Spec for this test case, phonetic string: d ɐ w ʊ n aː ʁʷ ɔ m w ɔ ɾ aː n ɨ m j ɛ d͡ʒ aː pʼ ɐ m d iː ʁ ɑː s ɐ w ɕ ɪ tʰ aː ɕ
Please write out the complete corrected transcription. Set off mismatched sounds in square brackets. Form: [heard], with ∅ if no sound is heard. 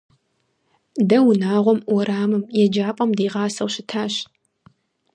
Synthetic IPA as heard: d ɐ w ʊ n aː ʁʷ ɔ m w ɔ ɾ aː [m] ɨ m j ɛ d͡ʒ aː pʼ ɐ m d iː ʁ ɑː s ɐ w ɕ ɪ tʰ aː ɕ